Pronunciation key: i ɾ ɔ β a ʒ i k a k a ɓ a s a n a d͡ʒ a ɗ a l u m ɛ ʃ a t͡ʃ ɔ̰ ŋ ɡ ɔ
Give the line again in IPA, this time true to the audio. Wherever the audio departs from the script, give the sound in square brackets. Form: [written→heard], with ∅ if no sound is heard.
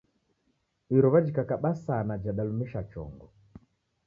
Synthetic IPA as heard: i ɾ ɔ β a [ʒ→d͡ʒ] i k a k a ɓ a s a n a d͡ʒ a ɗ a l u m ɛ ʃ a t͡ʃ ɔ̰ ŋ ɡ ɔ